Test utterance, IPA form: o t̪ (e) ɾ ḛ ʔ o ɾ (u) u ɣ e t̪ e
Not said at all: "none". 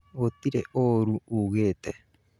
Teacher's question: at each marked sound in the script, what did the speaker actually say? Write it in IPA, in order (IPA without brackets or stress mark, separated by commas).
i, u